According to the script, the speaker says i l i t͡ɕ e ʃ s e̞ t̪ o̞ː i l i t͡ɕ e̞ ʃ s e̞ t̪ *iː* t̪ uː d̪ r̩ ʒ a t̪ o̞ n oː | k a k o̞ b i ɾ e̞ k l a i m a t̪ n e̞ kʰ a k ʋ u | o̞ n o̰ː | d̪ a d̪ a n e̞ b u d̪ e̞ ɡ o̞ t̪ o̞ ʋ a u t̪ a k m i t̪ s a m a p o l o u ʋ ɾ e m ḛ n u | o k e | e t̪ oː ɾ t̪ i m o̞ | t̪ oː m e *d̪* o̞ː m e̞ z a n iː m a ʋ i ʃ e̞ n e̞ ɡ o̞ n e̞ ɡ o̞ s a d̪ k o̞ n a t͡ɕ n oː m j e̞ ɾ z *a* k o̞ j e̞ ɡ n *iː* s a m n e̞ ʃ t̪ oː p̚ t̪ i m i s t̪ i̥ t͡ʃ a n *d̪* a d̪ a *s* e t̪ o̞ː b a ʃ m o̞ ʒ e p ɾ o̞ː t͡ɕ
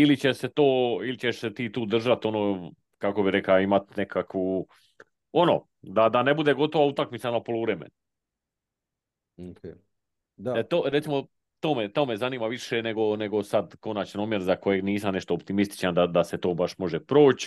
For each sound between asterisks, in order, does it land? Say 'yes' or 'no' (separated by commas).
yes, no, yes, yes, yes, yes